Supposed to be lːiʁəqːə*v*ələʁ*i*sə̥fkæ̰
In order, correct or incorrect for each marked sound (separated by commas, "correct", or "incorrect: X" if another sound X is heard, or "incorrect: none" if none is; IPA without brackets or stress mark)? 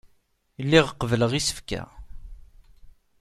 correct, correct